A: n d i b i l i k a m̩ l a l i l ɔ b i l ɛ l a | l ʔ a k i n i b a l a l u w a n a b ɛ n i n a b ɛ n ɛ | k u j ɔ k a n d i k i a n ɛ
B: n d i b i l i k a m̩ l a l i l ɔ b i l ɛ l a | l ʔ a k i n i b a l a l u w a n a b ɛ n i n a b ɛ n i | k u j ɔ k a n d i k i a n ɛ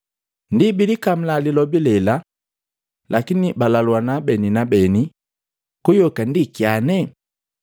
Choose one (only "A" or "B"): B